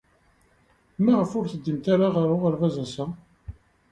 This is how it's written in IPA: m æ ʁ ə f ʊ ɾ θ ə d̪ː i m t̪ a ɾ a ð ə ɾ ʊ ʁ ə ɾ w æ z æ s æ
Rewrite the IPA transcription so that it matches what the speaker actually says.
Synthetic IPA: m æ ʁ ə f ʊ ɾ θ ə d̪ː i m t̪ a ɾ a ʁ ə ɾ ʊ ʁ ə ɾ v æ z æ s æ